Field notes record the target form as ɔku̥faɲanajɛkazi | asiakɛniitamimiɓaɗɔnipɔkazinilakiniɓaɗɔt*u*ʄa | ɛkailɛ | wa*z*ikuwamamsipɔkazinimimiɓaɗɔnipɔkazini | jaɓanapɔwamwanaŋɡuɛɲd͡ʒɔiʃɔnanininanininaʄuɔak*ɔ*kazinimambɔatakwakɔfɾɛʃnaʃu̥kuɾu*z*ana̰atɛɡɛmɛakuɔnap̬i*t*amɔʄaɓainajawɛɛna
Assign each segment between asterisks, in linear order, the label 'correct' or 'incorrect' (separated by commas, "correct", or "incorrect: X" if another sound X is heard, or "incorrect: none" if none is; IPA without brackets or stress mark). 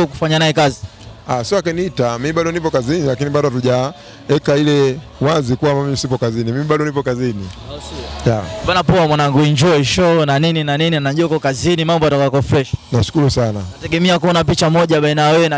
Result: correct, correct, correct, incorrect: s, incorrect: t͡ʃ